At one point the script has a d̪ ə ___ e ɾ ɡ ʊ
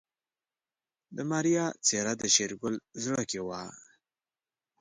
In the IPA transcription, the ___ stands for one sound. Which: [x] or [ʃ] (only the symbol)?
ʃ